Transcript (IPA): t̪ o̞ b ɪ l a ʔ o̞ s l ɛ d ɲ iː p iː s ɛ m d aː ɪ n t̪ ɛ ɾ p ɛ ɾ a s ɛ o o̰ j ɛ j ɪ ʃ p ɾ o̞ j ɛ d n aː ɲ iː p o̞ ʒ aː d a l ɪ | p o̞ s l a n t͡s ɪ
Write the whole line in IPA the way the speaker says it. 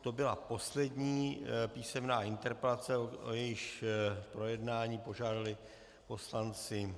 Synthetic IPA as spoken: t̪ o̞ b ɪ l a p o̞ s l ɛ d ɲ iː p iː s ɛ m n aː ɪ n t̪ ɛ ɾ p ɛ l a t͡s ɛ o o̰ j ɛ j ɪ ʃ p ɾ o̞ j ɛ d n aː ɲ iː p o̞ ʒ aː d a l ɪ | p o̞ s l a n t͡s ɪ